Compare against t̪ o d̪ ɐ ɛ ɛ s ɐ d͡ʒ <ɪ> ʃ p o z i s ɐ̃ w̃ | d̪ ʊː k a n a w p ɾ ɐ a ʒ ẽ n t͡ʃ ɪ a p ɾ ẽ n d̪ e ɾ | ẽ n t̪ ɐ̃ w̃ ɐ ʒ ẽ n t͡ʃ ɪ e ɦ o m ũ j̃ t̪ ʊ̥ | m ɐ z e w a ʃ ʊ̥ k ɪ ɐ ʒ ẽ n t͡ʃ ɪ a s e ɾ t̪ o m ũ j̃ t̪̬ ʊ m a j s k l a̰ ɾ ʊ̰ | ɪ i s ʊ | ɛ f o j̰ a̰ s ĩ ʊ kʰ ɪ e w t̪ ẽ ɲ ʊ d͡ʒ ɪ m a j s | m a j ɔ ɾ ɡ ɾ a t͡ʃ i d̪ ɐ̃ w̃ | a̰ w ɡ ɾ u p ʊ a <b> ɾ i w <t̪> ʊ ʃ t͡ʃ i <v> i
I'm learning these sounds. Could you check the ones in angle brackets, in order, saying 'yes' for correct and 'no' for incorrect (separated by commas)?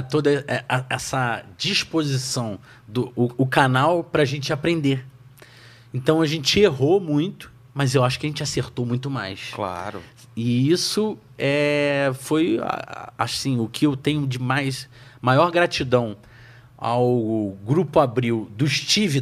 no, yes, no, yes